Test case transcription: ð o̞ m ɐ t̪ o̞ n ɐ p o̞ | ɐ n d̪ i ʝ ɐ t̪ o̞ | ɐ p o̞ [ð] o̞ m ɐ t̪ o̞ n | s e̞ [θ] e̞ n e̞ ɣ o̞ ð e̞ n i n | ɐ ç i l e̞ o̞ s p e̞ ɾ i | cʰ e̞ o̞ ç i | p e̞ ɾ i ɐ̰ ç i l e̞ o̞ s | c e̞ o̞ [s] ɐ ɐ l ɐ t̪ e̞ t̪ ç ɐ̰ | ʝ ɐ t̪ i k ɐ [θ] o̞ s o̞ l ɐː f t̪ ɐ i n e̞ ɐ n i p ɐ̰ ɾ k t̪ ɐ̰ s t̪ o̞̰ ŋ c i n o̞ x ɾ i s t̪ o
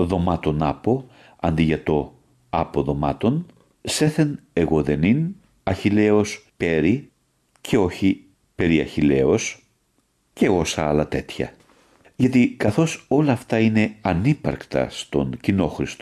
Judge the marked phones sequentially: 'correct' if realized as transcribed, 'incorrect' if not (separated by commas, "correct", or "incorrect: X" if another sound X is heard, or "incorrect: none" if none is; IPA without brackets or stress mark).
correct, correct, correct, correct